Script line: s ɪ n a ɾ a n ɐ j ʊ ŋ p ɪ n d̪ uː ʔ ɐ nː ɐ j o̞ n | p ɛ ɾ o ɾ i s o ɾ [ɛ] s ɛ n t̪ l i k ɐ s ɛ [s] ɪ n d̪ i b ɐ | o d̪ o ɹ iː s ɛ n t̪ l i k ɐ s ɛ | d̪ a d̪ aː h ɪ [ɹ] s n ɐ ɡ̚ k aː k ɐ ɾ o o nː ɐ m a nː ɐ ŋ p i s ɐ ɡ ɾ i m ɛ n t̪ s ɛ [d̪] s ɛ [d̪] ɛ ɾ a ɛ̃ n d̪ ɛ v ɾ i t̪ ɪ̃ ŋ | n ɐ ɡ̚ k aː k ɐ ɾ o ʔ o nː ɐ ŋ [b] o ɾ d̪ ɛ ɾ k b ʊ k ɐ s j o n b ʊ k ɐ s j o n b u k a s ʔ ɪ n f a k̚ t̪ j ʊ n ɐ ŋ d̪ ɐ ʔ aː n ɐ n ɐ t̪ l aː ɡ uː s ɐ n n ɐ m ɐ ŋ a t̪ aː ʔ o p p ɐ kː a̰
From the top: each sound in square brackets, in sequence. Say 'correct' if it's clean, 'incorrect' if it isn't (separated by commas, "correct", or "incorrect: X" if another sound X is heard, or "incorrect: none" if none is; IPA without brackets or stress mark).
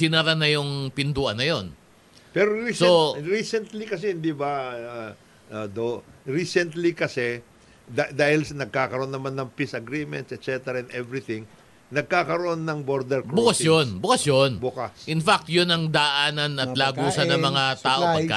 incorrect: i, incorrect: h, incorrect: l, incorrect: t̪, incorrect: t̪, correct